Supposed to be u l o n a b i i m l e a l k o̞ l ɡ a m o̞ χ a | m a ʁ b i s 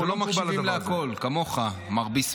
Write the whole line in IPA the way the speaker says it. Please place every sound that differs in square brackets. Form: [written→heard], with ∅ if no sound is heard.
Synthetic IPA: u l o [n→m] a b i i m l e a [l→∅] k o̞ l [ɡ→k] a m o̞ χ a | m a ʁ b i s